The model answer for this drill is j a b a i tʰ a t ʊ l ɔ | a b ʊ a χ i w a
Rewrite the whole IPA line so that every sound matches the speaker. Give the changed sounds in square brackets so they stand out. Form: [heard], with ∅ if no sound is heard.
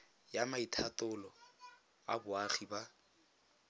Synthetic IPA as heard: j a [m] a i tʰ a t ʊ l ɔ | a b ʊ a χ i [b] a